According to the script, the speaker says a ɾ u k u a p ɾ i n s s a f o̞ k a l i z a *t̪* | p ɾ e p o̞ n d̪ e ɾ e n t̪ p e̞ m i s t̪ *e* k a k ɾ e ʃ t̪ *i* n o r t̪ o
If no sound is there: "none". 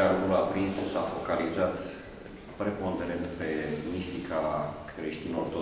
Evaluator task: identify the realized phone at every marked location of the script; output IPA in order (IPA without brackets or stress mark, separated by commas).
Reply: t̪, i, i